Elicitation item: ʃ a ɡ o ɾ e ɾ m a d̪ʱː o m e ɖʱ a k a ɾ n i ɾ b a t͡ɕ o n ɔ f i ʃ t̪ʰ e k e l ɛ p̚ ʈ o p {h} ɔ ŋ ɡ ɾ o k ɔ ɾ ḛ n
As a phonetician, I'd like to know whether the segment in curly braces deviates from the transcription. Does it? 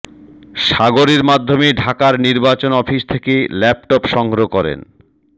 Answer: yes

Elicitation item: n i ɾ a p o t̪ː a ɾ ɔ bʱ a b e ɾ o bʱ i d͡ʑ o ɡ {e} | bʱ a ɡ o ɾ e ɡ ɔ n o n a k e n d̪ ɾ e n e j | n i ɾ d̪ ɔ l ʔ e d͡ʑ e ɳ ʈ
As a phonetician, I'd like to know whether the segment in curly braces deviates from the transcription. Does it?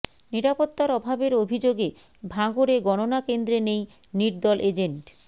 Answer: no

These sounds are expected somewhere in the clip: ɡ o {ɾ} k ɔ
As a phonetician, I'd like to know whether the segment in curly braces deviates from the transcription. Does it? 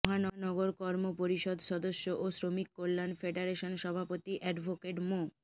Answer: no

